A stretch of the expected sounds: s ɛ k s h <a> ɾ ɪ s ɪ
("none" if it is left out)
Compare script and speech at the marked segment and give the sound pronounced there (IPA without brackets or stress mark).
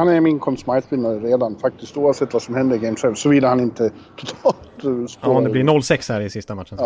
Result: æ